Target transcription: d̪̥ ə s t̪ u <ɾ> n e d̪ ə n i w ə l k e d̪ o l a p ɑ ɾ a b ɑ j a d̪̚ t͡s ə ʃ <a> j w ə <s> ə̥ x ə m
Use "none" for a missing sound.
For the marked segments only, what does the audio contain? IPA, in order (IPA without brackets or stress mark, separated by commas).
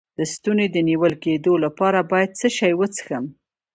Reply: none, ɑ, t͡s